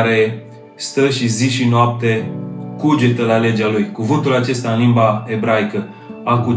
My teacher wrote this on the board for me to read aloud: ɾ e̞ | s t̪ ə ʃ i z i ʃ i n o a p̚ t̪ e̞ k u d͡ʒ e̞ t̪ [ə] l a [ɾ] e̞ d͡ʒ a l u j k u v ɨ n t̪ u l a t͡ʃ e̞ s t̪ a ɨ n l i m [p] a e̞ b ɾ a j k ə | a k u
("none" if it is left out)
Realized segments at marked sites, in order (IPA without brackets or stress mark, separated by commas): ə, l, b